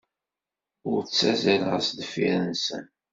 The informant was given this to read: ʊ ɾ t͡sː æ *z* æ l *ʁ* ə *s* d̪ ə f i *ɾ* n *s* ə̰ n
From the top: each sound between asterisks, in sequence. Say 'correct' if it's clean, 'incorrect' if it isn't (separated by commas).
correct, correct, correct, correct, correct